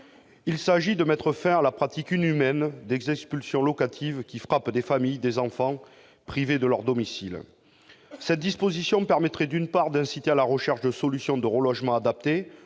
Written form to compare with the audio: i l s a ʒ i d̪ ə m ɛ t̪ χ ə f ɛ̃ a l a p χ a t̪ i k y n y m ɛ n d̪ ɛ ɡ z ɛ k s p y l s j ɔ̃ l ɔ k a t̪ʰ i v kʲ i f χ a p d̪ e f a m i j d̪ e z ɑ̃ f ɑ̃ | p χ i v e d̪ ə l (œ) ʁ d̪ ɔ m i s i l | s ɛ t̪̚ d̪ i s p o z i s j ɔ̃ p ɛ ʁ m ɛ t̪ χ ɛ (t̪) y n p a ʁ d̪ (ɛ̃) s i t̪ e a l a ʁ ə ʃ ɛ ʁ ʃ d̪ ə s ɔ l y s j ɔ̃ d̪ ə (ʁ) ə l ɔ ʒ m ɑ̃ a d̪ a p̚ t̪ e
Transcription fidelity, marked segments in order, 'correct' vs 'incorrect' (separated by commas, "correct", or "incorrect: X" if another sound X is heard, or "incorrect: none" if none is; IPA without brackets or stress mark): correct, incorrect: d̪, correct, correct